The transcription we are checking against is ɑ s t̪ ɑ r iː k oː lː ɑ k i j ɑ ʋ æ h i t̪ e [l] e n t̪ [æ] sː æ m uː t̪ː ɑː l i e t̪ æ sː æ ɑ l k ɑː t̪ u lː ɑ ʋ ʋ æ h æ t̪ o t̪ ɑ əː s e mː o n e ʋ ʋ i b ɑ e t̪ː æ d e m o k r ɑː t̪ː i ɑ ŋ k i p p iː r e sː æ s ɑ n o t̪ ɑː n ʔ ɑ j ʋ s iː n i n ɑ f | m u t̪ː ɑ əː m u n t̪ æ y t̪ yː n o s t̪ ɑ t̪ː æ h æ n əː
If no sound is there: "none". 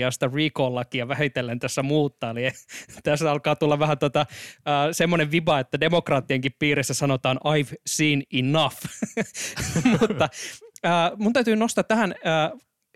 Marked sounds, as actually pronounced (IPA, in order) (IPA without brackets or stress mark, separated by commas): lː, æ